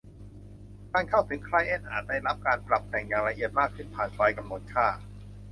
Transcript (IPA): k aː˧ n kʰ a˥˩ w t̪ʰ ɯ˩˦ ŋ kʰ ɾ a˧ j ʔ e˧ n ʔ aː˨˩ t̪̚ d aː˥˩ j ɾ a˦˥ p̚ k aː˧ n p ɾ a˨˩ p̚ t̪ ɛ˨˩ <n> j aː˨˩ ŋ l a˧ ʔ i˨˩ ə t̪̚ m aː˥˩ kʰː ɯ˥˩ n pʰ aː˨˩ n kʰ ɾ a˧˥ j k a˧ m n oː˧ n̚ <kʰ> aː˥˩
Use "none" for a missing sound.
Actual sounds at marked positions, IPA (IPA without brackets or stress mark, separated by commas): ŋ, kʰ